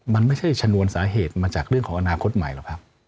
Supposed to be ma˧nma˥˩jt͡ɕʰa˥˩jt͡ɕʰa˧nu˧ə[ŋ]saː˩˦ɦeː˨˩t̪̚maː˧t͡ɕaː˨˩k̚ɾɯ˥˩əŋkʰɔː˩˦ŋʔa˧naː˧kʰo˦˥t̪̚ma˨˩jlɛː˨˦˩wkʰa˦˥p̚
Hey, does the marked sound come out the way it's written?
no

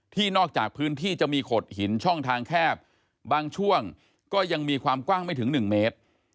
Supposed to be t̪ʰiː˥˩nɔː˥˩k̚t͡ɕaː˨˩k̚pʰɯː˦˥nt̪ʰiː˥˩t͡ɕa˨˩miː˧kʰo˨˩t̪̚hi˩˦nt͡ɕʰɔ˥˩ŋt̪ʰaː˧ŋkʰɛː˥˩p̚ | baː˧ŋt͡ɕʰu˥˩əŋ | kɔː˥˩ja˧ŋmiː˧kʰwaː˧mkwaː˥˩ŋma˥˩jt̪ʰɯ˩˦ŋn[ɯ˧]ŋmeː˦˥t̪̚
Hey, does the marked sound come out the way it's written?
no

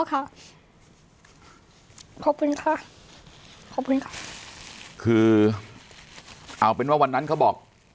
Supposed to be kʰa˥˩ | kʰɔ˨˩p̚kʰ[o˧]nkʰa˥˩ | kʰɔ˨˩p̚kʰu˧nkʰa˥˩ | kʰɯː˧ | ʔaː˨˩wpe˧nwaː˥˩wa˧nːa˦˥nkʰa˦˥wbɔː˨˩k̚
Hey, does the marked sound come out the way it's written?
no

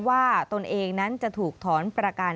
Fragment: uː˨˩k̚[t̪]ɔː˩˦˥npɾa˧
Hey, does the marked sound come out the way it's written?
no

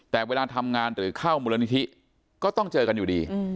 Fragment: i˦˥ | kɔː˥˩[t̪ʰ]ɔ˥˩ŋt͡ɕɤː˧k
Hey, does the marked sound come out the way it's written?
no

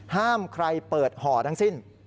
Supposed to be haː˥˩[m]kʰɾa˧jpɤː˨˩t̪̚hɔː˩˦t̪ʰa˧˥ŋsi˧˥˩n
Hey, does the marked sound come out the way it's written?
yes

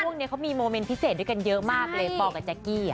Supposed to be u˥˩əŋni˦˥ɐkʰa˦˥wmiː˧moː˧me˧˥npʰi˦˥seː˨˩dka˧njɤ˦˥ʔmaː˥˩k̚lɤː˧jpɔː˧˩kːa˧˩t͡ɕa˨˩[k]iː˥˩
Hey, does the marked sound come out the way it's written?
yes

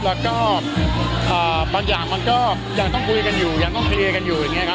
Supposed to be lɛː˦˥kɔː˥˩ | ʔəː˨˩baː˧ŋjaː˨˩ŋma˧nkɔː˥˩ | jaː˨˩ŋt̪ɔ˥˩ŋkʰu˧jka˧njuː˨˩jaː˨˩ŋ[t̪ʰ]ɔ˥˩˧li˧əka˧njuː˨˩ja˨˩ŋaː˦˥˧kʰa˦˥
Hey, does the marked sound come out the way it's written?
no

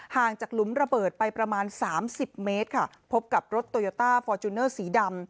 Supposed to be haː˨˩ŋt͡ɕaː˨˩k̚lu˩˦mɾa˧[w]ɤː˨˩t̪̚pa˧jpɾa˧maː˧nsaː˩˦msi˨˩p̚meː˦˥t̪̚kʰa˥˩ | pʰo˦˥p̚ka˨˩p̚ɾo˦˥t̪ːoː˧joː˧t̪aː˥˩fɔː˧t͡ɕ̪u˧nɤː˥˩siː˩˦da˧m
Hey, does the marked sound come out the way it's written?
no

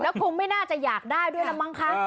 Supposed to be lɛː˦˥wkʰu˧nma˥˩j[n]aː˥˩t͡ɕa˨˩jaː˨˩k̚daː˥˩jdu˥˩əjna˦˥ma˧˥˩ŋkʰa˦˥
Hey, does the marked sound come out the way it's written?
yes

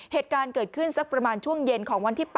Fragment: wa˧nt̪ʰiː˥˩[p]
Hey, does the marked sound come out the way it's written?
yes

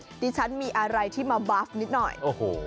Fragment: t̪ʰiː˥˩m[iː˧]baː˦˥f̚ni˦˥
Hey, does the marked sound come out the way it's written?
no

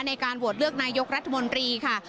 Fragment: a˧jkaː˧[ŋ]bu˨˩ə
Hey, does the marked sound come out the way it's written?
no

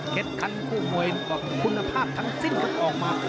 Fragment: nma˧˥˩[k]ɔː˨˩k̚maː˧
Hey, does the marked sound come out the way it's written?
no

